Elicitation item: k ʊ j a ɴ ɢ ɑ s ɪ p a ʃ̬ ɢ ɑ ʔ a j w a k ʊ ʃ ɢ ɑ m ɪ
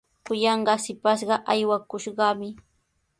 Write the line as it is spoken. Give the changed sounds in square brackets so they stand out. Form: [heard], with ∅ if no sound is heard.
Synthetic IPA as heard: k ʊ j [ɑ] ɴ ɢ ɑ s ɪ p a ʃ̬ ɢ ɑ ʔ a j w a k ʊ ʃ ɢ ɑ m ɪ